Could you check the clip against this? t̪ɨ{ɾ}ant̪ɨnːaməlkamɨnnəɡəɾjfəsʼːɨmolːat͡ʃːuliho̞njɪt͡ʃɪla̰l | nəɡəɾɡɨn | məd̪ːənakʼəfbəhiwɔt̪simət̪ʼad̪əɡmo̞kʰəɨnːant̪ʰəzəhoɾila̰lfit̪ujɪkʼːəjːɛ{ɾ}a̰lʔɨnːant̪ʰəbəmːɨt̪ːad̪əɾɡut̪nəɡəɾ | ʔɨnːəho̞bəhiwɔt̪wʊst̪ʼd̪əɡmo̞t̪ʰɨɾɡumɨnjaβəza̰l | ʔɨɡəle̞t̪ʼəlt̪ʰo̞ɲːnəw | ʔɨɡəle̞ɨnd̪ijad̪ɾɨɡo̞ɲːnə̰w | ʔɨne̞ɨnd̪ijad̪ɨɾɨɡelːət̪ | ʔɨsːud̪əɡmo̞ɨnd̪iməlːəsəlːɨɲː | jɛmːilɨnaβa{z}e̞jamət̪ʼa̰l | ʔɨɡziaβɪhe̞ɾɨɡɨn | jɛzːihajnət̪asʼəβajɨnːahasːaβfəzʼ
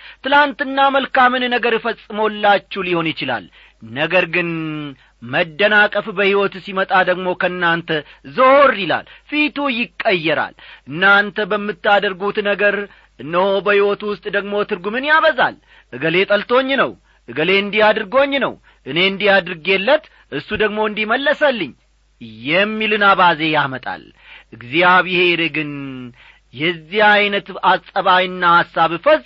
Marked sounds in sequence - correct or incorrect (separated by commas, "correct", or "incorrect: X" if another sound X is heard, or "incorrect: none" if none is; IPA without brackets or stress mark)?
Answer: incorrect: l, correct, correct